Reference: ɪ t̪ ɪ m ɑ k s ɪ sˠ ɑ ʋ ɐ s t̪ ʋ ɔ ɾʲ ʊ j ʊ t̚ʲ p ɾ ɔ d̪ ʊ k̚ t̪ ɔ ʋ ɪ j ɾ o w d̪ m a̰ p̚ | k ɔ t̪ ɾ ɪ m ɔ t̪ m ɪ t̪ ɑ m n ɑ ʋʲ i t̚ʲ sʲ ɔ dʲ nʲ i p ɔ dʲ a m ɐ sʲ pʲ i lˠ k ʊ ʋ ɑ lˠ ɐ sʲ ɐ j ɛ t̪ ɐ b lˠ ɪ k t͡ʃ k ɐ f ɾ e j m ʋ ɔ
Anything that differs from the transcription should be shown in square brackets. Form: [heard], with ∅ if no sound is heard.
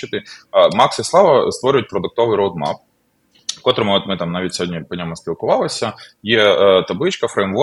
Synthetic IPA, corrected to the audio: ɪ t̪ ɪ m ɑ k s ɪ sˠ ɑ ʋ ɐ s t̪ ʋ ɔ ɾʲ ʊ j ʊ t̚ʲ p ɾ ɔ d̪ ʊ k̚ t̪ ɔ ʋ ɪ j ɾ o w d̪ m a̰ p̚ | k ɔ t̪ ɾ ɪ m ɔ t̪ m ɪ t̪ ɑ m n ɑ ʋʲ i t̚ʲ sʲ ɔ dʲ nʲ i p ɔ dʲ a m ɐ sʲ pʲ i lˠ k ʊ ʋ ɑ lˠ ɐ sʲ ɐ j ɛ t̪ ɐ b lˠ ɪ [∅] t͡ʃ k ɐ f ɾ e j m ʋ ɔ